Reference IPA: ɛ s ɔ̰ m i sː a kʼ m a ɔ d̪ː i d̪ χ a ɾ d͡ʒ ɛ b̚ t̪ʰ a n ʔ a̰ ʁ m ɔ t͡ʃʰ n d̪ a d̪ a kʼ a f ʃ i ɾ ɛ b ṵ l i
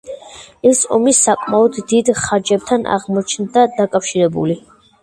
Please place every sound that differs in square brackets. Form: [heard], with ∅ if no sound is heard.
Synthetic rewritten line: ɛ s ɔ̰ m i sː a kʼ m a ɔ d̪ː i d̪ χ a ɾ d͡ʒ ɛ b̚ t̪ʰ a n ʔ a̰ ʁ m ɔ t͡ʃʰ n d̪ a d̪ a kʼ a f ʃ i ɾ ɛ b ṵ l i